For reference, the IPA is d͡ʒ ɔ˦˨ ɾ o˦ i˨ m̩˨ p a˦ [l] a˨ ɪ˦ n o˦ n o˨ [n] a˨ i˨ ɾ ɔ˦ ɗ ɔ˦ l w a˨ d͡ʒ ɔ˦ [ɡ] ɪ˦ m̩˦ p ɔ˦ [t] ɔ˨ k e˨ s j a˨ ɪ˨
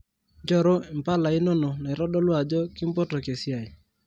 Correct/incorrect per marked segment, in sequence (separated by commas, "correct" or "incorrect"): correct, correct, incorrect, correct